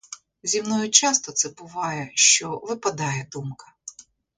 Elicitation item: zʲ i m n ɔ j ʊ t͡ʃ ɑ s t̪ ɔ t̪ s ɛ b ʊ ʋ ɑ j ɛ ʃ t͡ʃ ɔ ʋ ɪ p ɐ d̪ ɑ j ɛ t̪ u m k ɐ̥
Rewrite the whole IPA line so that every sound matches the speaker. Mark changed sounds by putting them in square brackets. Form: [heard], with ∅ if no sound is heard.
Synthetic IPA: zʲ i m n ɔ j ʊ t͡ʃ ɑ s t̪ ɔ t̪ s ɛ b ʊ ʋ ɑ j ɛ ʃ t͡ʃ ɔ ʋ ɪ p ɐ d̪ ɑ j ɛ [d̪] u m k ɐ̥